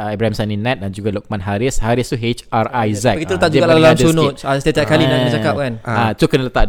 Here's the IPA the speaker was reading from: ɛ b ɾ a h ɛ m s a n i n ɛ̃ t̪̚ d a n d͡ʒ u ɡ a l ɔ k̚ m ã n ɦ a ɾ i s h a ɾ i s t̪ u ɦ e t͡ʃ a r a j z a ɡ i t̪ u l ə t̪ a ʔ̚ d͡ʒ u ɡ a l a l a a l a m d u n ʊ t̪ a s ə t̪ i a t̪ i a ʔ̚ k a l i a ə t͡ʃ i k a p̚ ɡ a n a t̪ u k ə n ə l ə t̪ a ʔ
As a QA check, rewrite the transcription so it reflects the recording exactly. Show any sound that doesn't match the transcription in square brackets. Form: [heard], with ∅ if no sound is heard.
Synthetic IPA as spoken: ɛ b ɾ a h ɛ m s a n i n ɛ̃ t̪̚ d a n d͡ʒ u ɡ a l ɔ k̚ m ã n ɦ a ɾ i s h a ɾ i s t̪ u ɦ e t͡ʃ a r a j z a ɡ i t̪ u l ə t̪ a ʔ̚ d͡ʒ u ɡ a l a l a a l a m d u n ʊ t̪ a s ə t̪ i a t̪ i a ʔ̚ k a l i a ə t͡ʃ [a] k a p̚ [k] a n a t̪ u k ə n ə l ə t̪ a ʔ